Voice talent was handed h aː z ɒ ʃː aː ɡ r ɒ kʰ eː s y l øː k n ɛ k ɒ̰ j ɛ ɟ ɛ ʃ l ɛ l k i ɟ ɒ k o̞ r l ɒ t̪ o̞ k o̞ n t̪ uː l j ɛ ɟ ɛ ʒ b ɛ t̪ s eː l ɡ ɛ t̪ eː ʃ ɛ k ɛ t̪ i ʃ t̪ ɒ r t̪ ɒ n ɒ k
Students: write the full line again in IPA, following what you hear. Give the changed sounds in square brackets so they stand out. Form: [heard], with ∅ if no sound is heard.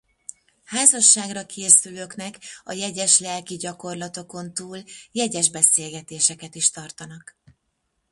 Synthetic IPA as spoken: h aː z ɒ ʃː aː ɡ r ɒ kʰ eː s y l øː k n ɛ k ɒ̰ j ɛ ɟ ɛ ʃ l ɛ l k i ɟ ɒ k o̞ r l ɒ t̪ o̞ k o̞ n t̪ uː l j ɛ ɟ ɛ ʒ b ɛ [∅] s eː l ɡ ɛ t̪ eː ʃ ɛ k ɛ t̪ i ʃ t̪ ɒ r t̪ ɒ n ɒ k